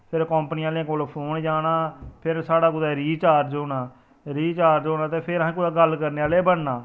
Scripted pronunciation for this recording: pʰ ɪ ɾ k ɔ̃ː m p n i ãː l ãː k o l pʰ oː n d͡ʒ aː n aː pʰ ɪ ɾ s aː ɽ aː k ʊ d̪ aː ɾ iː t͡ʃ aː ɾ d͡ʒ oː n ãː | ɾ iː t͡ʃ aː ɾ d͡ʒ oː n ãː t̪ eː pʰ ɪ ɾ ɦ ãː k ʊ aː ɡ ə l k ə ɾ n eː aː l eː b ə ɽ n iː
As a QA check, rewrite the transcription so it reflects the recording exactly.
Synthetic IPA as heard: pʰ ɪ ɾ k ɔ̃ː m p n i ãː l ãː k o l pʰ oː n d͡ʒ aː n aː pʰ ɪ ɾ s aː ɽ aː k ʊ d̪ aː ɾ iː t͡ʃ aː ɾ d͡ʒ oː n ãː | ɾ iː t͡ʃ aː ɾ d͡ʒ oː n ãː t̪ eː pʰ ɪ ɾ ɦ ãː k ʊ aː ɡ ə l k ə ɾ n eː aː l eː b ə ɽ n aː